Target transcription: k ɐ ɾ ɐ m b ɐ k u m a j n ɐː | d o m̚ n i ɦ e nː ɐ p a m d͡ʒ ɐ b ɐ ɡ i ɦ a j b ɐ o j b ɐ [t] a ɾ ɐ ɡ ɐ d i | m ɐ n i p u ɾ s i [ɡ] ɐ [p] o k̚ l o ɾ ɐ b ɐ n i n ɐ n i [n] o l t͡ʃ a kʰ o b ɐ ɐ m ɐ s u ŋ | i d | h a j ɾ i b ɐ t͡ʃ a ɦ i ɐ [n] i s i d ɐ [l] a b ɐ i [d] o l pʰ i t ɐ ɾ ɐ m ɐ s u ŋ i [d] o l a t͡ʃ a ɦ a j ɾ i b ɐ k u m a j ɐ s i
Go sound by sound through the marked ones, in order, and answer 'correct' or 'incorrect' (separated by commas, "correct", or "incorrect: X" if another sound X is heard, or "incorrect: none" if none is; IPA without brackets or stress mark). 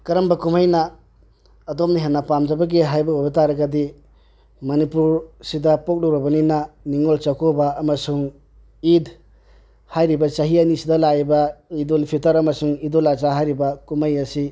correct, incorrect: d, correct, incorrect: ŋ, correct, correct, correct, correct